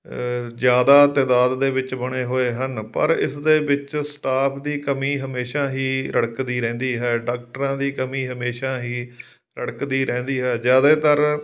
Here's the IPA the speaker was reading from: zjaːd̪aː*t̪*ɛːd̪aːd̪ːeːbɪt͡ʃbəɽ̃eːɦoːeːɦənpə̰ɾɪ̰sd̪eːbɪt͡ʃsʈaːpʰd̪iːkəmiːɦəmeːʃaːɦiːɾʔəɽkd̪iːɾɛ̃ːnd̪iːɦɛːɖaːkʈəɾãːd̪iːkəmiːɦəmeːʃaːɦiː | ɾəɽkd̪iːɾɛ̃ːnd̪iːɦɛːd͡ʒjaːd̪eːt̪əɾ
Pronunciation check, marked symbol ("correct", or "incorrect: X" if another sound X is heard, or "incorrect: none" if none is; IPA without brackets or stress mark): correct